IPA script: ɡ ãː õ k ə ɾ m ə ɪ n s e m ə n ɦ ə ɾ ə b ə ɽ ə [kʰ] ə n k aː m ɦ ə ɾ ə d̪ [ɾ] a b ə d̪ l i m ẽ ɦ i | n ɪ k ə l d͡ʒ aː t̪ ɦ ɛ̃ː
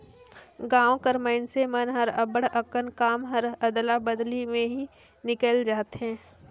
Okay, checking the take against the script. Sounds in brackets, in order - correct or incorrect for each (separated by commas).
incorrect, incorrect